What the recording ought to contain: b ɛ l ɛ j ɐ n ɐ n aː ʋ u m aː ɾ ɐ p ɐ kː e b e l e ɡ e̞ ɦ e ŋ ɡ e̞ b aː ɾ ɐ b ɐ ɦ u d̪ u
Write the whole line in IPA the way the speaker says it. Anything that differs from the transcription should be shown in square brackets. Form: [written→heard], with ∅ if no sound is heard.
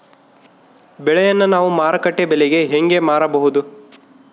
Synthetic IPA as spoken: b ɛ [l→ɭ] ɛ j ɐ [n→nː] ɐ n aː ʋ u m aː ɾ ɐ [p→k] ɐ [kː→ʈː] e b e l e ɡ e̞ ɦ e ŋ ɡ e̞ [b→m] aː ɾ ɐ b ɐ ɦ u d̪ u

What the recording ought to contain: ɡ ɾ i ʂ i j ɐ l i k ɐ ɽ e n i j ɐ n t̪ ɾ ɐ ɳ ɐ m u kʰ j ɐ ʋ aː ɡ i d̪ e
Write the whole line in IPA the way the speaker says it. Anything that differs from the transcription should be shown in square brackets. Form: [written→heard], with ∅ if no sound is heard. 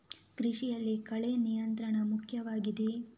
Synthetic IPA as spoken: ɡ ɾ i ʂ i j ɐ [l→lː] i k ɐ [ɽ→ɭ] e n i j ɐ n t̪ ɾ ɐ ɳ ɐ m u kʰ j ɐ ʋ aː ɡ i d̪ e

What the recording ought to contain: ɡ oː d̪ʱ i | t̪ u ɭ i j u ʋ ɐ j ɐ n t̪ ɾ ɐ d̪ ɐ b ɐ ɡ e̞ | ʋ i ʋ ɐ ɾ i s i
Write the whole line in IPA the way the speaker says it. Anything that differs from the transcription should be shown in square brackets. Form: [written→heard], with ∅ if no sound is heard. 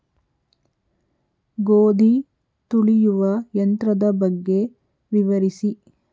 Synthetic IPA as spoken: ɡ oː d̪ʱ i | t̪ u ɭ i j u ʋ ɐ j ɐ n t̪ ɾ ɐ d̪ ɐ b ɐ [ɡ→ɡː] e̞ | ʋ i ʋ ɐ ɾ i s i

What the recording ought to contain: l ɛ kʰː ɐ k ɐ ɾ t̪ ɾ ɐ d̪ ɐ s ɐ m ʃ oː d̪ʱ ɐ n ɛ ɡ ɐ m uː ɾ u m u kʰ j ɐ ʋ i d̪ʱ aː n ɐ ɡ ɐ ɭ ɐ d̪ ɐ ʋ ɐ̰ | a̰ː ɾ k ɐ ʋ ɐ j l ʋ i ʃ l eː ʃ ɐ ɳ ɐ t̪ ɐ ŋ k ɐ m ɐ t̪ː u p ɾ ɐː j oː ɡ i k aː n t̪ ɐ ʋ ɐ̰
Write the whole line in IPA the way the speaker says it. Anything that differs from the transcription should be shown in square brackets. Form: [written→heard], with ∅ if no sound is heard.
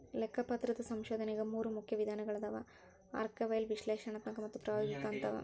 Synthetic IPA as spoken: l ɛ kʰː ɐ [k→p] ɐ [ɾ→∅] t̪ ɾ ɐ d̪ ɐ s ɐ m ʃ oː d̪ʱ ɐ n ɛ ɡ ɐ m uː ɾ u m u kʰ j ɐ ʋ i d̪ʱ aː n ɐ ɡ ɐ ɭ ɐ d̪ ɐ ʋ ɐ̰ | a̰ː ɾ k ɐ ʋ ɐ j l ʋ i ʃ l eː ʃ ɐ ɳ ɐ t̪ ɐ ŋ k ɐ m ɐ t̪ː u p ɾ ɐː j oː ɡ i k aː n t̪ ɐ ʋ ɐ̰

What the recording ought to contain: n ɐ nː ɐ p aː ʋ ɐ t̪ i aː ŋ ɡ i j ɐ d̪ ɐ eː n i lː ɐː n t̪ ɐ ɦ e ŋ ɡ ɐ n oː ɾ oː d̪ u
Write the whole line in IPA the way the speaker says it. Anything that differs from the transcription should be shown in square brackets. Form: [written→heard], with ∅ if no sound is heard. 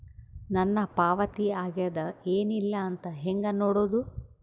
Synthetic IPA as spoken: n ɐ nː ɐ p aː ʋ ɐ t̪ i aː [ŋ→∅] ɡ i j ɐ d̪ ɐ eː n i lː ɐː n t̪ ɐ ɦ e ŋ ɡ ɐ n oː [ɾ→ɽ] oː d̪ u

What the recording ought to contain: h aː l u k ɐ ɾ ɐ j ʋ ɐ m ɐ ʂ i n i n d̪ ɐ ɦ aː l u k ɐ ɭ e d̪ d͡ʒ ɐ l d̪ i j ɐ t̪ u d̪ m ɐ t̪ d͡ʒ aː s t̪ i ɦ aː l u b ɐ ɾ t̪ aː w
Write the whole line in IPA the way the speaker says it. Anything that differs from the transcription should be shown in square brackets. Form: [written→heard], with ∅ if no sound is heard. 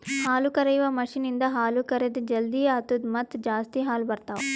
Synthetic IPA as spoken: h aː l u k ɐ ɾ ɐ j ʋ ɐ m ɐ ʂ i n i n d̪ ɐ ɦ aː l u k ɐ [ɭ→ɾ] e d̪ d͡ʒ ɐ l d̪ i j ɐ t̪ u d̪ m ɐ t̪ d͡ʒ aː s t̪ i ɦ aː l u b ɐ ɾ t̪ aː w

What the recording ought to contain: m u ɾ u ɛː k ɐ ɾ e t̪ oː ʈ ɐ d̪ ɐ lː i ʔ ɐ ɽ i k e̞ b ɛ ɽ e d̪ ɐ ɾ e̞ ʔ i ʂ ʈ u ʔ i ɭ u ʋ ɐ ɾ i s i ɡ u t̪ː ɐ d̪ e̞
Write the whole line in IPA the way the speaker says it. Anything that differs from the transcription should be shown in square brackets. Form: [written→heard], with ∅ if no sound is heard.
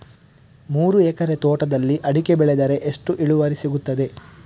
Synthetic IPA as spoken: m [u→uː] ɾ u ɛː k ɐ ɾ e t̪ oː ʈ ɐ d̪ ɐ lː i ʔ ɐ ɽ i k e̞ b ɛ [ɽ→ɭ] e d̪ ɐ ɾ e̞ ʔ [i→e] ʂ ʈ u ʔ i ɭ u ʋ ɐ ɾ i s i ɡ u t̪ː ɐ d̪ e̞

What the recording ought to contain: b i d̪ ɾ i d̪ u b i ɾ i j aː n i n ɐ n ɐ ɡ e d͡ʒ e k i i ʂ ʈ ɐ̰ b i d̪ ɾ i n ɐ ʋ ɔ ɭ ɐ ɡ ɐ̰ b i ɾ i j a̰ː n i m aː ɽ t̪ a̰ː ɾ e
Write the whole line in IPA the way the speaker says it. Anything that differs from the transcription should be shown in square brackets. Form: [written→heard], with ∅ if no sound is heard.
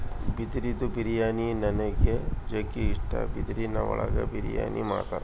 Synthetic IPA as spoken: b i d̪ ɾ i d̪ u b i ɾ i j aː n i n ɐ n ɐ ɡ e d͡ʒ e k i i ʂ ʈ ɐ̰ b i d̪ ɾ i n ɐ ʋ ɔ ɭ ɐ ɡ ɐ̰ b i ɾ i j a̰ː n i m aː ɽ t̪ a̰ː ɾ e

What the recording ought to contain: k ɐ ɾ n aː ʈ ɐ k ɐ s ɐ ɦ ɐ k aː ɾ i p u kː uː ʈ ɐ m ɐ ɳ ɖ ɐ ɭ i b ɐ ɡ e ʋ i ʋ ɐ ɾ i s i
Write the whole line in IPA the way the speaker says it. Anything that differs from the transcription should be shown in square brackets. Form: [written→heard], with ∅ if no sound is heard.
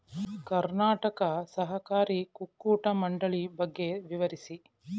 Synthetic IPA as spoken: k ɐ ɾ n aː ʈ ɐ k ɐ s ɐ ɦ ɐ k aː ɾ i [p→k] u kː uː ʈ ɐ m ɐ ɳ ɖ ɐ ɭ i b ɐ [ɡ→ɡː] e ʋ i ʋ ɐ ɾ i s i

